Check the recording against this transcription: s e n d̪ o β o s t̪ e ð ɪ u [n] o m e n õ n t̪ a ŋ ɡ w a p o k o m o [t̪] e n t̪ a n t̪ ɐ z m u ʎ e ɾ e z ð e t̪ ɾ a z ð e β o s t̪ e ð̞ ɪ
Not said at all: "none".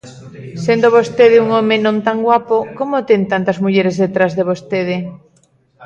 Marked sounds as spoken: ŋ, t̪

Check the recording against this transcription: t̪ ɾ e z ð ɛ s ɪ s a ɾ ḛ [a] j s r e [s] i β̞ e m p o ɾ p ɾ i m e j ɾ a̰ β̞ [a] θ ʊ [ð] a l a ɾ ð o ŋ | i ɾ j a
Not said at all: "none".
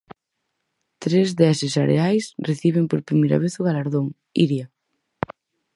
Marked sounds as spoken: a, θ, e, ɣ

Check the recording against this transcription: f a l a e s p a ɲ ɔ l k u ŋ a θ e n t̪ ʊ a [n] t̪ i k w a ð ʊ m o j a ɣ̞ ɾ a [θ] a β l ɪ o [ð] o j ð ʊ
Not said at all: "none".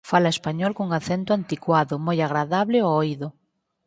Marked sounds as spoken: n, ð, none

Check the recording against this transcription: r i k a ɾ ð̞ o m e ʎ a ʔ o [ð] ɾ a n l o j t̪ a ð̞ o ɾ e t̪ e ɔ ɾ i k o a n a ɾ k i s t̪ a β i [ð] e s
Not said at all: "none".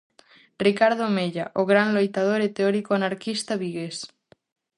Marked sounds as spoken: ɣ, ɣ

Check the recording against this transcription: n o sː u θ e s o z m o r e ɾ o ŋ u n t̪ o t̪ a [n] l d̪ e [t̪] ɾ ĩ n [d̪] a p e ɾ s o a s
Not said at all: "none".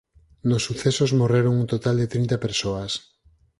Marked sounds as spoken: none, t̪, t̪

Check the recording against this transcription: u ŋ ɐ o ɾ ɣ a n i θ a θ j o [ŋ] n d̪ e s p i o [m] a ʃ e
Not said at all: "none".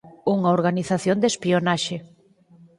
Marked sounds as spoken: none, n

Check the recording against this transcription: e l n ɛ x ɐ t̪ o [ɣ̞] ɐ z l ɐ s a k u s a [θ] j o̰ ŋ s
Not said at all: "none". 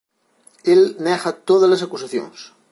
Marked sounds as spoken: ð̞, θ

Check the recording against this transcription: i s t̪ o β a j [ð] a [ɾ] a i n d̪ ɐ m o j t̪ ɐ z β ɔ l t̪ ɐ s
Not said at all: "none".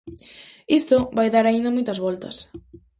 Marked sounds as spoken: ð, ɾ

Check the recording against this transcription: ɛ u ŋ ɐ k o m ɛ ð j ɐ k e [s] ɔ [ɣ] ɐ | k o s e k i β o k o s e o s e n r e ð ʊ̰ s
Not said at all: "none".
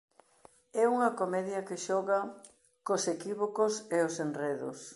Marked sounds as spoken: ʃ, ɣ

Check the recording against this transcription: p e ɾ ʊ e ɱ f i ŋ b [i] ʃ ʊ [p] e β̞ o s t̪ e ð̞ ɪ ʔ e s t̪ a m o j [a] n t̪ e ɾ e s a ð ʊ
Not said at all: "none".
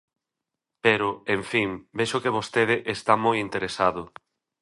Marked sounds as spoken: e, k, i

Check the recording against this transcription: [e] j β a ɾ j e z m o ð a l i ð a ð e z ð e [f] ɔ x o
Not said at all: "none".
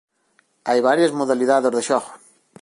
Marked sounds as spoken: a, ʃ

